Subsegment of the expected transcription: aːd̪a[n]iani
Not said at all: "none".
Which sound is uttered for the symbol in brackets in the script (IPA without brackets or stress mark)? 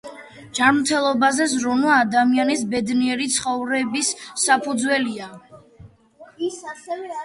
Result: m